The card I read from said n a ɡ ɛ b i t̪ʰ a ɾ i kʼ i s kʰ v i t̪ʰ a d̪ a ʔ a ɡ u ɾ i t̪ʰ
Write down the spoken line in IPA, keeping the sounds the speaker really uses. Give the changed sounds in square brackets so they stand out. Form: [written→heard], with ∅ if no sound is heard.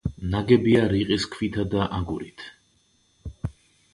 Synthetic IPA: n a ɡ ɛ b i [t̪ʰ→∅] a ɾ i [kʼ→qʼ] i s kʰ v i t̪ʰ a d̪ a ʔ a ɡ u ɾ i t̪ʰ